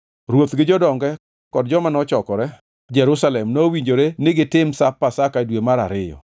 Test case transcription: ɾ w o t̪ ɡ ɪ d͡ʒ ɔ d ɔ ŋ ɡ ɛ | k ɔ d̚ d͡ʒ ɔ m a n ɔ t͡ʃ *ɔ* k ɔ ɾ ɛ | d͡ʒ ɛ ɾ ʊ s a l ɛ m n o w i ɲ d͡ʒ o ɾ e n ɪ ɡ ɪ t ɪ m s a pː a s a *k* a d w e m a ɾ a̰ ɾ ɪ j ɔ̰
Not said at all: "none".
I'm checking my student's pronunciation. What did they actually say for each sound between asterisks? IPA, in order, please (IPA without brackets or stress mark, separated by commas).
ɔ, k